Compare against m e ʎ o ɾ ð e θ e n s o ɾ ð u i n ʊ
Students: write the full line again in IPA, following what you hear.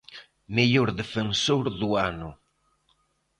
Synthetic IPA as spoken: m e ʎ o ɾ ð e f e n s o ɾ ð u a n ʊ